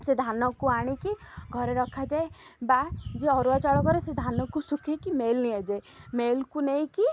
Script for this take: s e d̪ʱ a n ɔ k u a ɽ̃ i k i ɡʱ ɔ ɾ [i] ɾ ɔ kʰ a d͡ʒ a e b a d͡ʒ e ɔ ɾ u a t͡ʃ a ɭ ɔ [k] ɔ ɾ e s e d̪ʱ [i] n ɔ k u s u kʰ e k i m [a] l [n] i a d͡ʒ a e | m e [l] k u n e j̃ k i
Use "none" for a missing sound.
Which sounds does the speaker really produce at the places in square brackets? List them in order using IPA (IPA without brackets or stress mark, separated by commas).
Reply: e, k, a, e, n, l